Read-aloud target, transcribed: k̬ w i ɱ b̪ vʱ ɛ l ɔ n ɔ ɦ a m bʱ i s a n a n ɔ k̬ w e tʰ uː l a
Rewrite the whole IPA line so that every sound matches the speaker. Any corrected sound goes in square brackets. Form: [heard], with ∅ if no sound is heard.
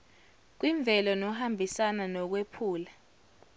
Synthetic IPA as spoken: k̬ w i ɱ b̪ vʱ ɛ l ɔ n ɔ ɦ a m bʱ i s a n a n ɔ k̬ w e [pʰ] uː l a